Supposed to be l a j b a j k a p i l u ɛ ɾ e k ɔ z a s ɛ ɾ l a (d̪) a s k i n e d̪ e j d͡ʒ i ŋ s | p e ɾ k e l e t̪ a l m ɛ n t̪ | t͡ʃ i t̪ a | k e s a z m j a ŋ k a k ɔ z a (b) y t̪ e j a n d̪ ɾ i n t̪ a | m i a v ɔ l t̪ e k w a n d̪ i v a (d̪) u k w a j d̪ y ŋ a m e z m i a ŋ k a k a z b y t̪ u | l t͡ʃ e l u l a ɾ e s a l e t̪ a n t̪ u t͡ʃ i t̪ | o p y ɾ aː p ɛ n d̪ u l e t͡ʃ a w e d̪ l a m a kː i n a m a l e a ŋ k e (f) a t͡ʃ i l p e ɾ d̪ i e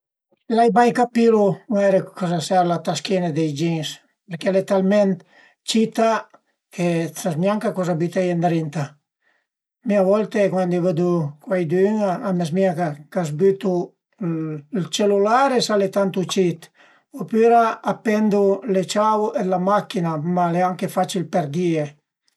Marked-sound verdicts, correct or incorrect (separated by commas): incorrect, correct, correct, correct